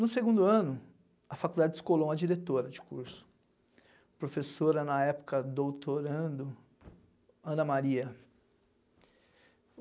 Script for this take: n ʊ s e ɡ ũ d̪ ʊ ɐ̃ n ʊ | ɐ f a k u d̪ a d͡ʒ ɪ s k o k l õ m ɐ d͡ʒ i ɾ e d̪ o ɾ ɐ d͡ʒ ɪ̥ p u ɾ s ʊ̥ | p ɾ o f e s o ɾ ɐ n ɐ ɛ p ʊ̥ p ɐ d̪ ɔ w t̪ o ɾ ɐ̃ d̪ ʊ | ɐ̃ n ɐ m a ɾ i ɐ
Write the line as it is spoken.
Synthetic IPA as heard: n ʊ s e ɡ ũ d̪ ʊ ɐ̃ n ʊ | ɐ f a k u d̪ a d͡ʒ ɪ s k o l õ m ɐ d͡ʒ i ɾ e t̪ o ɾ ɐ d͡ʒ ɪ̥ k u ɾ s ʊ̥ | p ɾ o f e s o ɾ ɐ n ɐ ɛ p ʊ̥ k ɐ d̪ o w t̪ o ɾ ɐ̃ d̪ ʊ | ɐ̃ n ɐ m a ɾ i ɐ